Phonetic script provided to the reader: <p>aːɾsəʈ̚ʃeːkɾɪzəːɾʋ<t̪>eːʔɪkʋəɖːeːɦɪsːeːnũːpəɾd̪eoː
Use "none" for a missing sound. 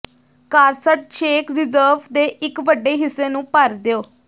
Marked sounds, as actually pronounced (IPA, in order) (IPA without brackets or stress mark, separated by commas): k, d̪